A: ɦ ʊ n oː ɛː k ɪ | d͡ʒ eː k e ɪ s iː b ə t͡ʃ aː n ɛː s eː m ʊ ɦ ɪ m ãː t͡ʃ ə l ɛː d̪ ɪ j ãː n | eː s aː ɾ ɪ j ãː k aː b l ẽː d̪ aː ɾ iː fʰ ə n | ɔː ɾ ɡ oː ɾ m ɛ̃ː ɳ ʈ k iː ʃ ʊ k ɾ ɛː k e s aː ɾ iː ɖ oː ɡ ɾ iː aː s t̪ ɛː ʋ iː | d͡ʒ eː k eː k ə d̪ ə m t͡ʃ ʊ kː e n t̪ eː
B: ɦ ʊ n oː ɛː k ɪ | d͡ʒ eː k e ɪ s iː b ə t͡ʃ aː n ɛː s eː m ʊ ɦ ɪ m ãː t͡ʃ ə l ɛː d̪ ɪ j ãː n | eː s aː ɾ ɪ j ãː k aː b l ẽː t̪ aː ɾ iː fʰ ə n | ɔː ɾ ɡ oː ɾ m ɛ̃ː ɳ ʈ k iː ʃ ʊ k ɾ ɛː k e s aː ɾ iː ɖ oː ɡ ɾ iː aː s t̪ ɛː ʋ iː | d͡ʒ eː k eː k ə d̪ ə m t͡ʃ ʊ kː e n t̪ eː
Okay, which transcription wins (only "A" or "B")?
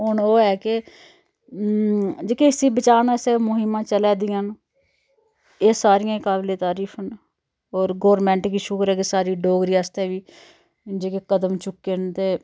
B